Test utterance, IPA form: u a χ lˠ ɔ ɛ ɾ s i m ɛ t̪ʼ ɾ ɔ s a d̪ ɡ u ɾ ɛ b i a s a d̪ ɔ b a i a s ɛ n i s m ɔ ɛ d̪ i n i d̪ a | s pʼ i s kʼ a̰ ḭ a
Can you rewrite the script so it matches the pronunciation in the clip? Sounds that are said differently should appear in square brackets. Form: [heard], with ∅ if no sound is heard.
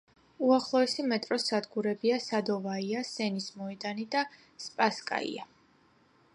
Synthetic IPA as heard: u a χ lˠ ɔ ɛ [∅] s i m ɛ t̪ʼ ɾ ɔ s a d̪ ɡ u ɾ ɛ b i a s a d̪ ɔ [v] a i a s ɛ n i s m ɔ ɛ d̪ [a] n i d̪ a | s pʼ [a] s kʼ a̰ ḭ a